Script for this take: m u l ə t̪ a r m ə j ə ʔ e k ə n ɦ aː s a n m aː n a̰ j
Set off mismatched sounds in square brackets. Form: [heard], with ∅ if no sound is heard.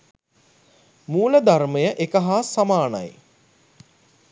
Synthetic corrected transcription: m [uː] l ə [d̪] a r m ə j ə ʔ e k ə [∅] ɦ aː s a [∅] m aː n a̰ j